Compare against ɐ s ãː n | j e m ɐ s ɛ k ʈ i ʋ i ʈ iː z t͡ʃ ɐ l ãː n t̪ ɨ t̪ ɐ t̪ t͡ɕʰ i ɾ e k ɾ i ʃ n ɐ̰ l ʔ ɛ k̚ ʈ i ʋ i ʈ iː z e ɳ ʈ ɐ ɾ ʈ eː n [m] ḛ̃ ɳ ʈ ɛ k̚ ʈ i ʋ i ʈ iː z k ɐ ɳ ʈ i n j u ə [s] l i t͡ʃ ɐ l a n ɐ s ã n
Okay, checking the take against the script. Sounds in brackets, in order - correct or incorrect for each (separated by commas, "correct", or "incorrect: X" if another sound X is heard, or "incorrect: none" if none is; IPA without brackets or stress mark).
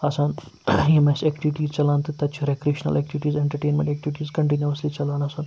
correct, correct